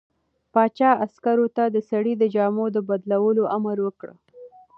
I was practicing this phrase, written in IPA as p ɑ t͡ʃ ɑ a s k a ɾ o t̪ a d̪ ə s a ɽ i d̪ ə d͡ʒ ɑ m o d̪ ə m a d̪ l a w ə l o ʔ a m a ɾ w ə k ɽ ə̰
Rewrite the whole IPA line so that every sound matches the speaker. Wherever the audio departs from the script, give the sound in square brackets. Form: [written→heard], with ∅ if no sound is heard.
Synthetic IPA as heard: p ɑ t͡ʃ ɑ a s k a ɾ o t̪ a d̪ ə s a ɽ i d̪ ə d͡ʒ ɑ m o d̪ ə [m→b] a d̪ l a w ə l o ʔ a m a ɾ w ə k ɽ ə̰

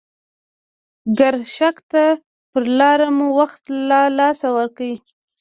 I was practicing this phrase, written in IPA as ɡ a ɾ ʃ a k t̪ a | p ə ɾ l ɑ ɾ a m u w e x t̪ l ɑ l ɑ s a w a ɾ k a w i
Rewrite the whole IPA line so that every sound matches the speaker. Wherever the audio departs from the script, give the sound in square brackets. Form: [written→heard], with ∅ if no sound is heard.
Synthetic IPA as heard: ɡ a ɾ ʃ a k t̪ a | p ə ɾ l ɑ ɾ a m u w [e→a] x t̪ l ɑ l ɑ s a w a ɾ k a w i

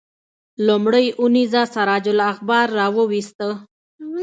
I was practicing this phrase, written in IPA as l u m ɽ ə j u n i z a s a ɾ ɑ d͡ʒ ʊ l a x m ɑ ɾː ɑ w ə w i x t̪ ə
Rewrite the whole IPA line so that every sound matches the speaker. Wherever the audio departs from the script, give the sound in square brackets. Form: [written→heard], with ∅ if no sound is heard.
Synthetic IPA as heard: l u m ɽ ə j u n i z a s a ɾ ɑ d͡ʒ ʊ l a x [m→b] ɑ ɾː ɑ w ə w i [x→s] t̪ ə

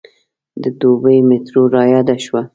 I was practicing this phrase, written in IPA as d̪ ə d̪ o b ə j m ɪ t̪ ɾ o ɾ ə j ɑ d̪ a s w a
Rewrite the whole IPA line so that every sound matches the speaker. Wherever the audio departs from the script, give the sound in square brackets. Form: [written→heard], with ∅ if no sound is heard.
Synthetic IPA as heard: d̪ ə d̪ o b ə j m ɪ t̪ ɾ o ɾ [ə→ɑ] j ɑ d̪ a [s→ʃ] w a

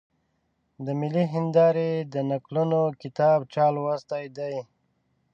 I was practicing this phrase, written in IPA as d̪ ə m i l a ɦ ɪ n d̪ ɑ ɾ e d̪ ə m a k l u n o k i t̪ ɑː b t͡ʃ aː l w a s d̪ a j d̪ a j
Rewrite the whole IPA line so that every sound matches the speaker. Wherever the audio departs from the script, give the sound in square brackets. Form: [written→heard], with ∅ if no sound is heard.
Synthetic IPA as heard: d̪ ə m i l [a→i] ɦ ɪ n d̪ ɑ ɾ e d̪ ə [m→n] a k l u n o k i t̪ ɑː b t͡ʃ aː l w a s [d̪→t̪] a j d̪ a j

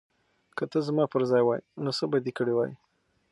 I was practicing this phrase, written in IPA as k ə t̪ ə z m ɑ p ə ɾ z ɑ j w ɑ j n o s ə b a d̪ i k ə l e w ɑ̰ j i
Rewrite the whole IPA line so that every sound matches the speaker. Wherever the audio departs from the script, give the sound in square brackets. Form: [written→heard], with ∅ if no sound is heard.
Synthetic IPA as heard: k ə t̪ ə z m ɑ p ə ɾ z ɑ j w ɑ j n o s ə b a d̪ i k ə [l→ɽ] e w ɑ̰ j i

